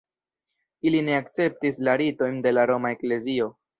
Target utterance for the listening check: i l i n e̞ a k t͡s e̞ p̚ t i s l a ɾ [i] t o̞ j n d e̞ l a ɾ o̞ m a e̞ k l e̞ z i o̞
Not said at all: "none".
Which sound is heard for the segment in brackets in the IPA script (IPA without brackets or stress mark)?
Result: i